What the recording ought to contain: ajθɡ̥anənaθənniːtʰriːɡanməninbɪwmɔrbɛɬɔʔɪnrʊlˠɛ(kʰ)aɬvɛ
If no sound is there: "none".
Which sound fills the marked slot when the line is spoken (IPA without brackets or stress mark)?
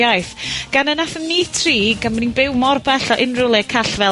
kʰ